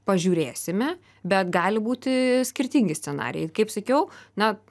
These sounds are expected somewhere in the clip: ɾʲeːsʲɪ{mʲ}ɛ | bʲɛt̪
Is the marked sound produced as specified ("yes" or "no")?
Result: yes